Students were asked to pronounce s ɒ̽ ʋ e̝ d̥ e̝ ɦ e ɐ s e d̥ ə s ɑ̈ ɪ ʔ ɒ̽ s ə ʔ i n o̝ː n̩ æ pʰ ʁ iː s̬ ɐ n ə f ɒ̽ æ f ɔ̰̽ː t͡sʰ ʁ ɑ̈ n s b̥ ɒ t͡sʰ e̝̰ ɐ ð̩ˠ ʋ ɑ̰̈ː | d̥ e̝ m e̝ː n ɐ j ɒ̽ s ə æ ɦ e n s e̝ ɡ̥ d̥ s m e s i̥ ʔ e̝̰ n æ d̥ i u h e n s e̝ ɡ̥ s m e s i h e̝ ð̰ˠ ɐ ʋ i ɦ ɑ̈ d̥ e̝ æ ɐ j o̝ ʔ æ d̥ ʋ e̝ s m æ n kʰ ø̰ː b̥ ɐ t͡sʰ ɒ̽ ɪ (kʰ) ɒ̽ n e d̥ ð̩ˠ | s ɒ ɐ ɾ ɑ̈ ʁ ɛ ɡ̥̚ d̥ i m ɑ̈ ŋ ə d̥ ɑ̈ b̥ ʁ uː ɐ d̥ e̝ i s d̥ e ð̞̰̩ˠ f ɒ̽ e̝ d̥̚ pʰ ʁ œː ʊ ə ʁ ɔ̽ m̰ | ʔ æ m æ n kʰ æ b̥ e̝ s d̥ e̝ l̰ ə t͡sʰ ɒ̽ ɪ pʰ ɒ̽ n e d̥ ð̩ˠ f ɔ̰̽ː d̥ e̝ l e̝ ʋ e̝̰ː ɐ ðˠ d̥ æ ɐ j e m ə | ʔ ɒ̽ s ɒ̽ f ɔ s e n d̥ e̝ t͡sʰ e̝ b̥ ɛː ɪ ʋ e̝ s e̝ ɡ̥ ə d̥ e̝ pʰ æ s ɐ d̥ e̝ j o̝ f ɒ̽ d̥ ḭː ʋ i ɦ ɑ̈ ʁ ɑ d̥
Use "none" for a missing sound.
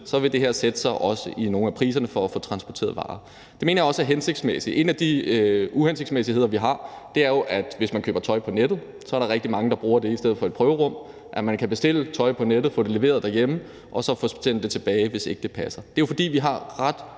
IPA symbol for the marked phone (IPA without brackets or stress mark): pʰ